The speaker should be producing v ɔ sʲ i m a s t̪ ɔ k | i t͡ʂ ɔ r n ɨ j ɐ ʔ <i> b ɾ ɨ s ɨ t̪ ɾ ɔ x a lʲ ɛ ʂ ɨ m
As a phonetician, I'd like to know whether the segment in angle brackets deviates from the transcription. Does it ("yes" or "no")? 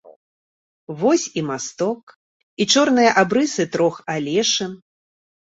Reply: yes